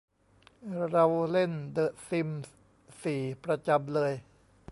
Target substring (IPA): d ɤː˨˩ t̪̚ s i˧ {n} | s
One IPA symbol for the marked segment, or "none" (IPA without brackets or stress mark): m